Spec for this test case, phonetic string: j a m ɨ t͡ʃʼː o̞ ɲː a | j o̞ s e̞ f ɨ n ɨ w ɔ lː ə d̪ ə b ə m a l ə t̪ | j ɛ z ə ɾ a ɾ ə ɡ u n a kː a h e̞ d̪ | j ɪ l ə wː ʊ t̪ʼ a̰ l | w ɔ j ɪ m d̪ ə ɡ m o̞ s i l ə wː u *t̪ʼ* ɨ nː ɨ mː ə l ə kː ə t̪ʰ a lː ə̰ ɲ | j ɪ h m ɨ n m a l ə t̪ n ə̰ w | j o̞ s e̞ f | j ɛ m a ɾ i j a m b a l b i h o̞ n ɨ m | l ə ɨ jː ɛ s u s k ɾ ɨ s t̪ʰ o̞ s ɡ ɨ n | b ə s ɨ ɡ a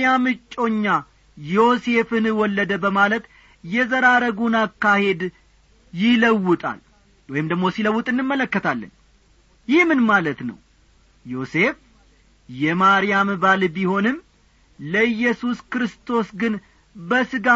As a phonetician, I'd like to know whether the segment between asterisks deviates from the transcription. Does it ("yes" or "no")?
no